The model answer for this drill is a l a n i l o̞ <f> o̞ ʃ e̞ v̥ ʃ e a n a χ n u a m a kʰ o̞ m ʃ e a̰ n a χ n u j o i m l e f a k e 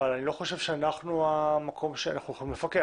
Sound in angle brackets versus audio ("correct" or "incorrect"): incorrect